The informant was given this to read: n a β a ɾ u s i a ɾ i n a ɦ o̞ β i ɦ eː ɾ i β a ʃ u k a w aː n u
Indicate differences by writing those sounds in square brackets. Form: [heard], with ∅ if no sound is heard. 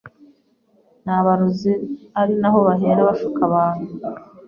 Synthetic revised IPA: n a β a ɾ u [z] i a ɾ i n a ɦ o̞ β [a] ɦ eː ɾ [a] β a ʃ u k a [β] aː n u